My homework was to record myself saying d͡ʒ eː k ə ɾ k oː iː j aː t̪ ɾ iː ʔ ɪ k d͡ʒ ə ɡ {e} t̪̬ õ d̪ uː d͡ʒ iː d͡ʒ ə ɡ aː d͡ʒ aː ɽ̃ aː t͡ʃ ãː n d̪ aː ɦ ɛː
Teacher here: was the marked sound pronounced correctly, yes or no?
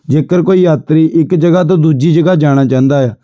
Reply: no